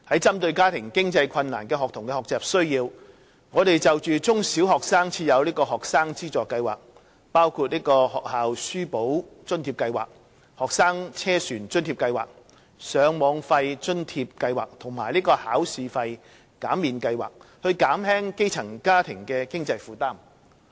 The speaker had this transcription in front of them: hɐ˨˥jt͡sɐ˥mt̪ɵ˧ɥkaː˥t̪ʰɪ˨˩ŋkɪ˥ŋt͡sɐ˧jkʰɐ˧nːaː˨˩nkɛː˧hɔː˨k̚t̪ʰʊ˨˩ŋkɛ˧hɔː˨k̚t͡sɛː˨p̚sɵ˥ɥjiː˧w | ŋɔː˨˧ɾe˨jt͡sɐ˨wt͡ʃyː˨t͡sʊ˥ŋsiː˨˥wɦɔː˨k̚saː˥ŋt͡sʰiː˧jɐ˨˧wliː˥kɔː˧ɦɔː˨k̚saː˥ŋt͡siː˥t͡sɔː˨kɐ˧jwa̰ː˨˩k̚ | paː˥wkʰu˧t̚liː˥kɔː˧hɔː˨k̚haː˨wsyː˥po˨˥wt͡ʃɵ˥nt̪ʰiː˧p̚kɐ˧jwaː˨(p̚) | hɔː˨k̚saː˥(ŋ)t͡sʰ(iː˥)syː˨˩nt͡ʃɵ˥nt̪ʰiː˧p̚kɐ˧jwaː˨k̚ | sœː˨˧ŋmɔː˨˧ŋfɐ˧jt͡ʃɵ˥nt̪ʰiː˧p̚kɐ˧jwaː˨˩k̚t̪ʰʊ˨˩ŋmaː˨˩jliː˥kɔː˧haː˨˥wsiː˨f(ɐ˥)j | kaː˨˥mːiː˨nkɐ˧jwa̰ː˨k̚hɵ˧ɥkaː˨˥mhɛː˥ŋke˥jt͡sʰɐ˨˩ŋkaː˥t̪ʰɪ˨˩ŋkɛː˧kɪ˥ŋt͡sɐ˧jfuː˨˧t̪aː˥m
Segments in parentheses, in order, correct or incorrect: incorrect: k̚, correct, incorrect: ɛː˥, incorrect: ɐ˧

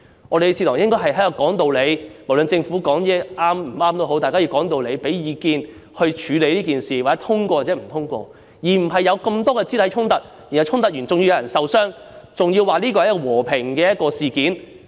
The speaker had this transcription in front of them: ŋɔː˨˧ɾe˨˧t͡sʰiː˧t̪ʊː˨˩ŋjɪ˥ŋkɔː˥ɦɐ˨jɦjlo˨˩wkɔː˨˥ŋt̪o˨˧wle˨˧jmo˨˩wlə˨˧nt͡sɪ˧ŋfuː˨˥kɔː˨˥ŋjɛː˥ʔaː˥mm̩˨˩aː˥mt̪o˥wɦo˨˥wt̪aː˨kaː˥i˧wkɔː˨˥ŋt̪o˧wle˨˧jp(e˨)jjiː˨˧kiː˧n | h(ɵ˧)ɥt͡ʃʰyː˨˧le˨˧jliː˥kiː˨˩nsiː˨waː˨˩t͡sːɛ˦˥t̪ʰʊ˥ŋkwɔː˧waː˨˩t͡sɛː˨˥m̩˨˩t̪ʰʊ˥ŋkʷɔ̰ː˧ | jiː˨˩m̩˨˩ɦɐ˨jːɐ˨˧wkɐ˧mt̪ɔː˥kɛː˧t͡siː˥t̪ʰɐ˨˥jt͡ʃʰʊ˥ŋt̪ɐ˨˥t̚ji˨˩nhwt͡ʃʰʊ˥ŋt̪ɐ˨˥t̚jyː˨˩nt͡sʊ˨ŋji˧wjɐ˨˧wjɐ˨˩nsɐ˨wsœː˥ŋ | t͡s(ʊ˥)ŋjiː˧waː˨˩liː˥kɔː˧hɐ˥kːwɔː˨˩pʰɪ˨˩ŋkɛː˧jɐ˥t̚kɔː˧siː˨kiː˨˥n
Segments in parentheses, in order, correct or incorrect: incorrect: e˨˥, correct, incorrect: ʊ˨

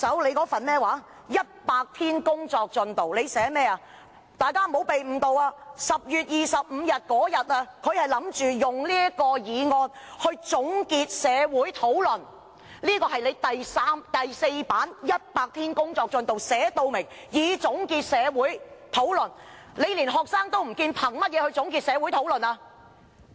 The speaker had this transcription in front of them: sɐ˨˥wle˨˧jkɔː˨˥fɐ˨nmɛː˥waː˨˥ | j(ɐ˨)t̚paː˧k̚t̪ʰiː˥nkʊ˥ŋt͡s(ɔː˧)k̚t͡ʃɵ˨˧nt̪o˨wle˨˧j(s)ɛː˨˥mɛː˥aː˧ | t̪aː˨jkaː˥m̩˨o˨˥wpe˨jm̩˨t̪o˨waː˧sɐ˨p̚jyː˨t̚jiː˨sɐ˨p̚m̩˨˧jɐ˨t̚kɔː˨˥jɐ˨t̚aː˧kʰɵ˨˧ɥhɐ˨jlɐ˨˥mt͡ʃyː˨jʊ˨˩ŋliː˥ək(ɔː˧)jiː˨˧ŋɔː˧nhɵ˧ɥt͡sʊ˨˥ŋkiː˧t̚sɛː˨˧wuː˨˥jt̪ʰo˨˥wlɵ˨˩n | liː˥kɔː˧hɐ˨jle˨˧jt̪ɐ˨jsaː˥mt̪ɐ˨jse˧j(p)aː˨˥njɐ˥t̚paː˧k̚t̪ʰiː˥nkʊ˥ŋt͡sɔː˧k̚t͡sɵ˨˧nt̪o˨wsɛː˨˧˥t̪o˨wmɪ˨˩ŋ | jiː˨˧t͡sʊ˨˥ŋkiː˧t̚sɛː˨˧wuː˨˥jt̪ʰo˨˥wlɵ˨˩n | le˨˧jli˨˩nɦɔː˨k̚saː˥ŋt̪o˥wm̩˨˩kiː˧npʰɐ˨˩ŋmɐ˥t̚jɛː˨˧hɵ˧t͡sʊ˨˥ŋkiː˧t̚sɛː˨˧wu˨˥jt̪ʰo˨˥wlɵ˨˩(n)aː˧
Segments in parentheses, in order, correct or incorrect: incorrect: ɐ˥, correct, correct, correct, correct, correct

